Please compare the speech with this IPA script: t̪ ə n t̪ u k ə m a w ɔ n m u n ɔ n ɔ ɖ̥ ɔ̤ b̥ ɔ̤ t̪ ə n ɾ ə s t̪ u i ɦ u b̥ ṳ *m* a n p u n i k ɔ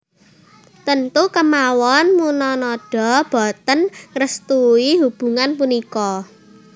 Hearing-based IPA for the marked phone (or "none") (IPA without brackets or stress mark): ŋ